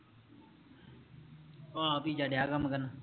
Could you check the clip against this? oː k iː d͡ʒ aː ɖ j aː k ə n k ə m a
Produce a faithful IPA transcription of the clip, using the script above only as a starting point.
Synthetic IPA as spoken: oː p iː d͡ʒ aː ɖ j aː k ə m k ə n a

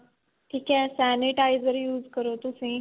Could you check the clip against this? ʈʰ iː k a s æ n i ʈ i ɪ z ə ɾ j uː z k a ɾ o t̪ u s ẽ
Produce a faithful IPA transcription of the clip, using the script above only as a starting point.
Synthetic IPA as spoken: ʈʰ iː k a s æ n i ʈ a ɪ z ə ɾ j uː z k ə ɾ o t̪ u s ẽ

